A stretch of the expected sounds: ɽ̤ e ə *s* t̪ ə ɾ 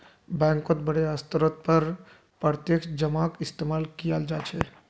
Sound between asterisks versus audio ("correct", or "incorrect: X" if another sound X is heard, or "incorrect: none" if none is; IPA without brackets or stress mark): correct